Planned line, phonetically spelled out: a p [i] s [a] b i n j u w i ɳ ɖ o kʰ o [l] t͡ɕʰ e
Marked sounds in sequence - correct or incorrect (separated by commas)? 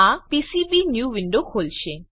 correct, incorrect, correct